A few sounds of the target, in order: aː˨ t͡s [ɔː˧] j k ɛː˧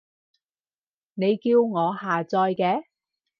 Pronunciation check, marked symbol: correct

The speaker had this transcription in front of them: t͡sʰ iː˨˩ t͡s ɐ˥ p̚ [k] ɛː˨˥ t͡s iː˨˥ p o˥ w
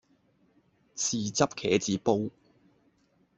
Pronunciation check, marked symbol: incorrect: kʰ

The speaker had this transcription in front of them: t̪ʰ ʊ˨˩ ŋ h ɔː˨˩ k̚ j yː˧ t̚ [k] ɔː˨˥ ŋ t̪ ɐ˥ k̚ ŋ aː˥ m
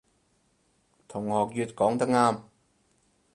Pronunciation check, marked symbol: correct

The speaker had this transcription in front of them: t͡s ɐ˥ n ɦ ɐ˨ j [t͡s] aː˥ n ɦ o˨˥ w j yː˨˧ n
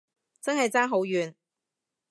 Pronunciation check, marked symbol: correct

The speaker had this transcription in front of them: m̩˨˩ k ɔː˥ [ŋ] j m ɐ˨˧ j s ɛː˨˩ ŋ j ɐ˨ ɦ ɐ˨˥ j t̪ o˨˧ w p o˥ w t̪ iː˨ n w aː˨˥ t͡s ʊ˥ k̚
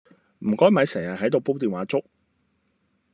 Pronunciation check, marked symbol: incorrect: none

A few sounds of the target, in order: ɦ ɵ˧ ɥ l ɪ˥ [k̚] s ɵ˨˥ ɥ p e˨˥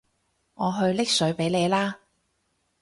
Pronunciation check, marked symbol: correct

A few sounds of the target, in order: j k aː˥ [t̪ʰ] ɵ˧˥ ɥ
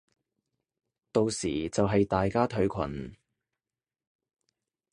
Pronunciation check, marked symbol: correct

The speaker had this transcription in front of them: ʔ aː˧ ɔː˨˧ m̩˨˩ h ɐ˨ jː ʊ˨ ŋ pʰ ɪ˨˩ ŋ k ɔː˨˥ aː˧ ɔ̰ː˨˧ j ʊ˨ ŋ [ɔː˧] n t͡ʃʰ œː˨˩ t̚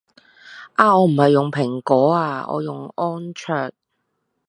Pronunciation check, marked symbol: incorrect: ɔː˥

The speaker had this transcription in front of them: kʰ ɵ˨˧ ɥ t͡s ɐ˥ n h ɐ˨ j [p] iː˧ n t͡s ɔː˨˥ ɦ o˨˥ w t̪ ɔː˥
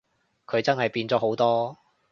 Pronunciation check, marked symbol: correct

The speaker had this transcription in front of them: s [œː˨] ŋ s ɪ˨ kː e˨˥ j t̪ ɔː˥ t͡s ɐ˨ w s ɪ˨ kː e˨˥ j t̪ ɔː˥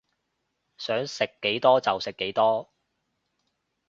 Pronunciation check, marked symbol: incorrect: œː˨˥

